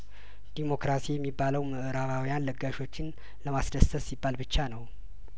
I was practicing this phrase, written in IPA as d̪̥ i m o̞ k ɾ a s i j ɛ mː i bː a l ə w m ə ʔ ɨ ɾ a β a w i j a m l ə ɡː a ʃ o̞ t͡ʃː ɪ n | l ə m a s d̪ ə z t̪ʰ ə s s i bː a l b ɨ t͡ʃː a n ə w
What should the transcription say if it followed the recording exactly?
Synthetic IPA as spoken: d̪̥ i m o̞ k ɾ a s i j ɛ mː i bː a l ə w m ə ʔ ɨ ɾ a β a w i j a n l ə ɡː a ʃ o̞ t͡ʃː ɪ n | l ə m a s d̪ ə s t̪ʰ ə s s i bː a l b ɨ t͡ʃː a n ə w